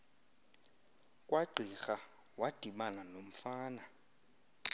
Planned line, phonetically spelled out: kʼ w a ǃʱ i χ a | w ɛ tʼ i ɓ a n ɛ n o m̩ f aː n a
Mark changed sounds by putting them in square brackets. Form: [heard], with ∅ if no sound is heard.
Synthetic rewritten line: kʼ w a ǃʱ i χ a | w [a] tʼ i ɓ a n [a] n o m̩ f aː n a